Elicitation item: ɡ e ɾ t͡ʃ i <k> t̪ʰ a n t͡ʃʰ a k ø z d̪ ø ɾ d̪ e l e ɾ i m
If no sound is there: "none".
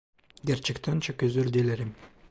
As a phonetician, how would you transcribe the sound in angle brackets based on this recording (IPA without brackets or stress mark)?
k